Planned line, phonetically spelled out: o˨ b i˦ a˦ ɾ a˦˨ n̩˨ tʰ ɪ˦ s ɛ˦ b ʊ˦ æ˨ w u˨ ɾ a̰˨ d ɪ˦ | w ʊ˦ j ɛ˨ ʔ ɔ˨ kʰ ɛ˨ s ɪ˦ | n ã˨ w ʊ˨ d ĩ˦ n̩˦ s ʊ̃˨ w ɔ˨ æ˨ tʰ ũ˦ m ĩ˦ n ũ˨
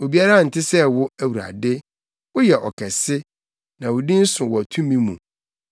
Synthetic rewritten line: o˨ b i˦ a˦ ɾ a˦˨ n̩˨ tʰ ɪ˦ s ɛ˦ w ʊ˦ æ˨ w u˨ ɾ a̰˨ d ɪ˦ | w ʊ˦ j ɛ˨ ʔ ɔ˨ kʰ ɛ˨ s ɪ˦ | n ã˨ w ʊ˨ d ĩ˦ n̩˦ s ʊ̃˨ w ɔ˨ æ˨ tʰ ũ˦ m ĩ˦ m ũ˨